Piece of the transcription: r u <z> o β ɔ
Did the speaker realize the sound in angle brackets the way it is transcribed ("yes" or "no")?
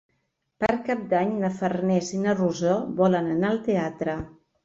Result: yes